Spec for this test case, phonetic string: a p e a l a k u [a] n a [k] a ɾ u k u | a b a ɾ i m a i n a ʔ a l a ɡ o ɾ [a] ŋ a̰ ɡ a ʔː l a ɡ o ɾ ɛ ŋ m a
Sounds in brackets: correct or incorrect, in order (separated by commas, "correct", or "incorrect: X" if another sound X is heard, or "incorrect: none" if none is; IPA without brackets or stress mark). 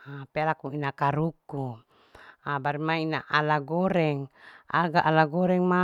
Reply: incorrect: i, correct, incorrect: ɛ